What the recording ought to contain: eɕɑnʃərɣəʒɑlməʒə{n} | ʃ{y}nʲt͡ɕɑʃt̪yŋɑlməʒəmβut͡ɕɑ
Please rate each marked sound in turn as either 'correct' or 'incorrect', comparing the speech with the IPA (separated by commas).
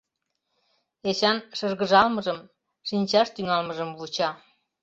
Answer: incorrect, incorrect